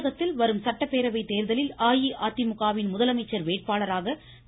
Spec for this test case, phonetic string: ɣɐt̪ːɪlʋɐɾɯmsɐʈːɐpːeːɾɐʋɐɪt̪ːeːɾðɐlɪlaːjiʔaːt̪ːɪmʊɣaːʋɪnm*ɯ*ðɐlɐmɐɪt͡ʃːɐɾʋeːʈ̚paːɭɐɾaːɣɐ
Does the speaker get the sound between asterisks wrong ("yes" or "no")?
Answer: yes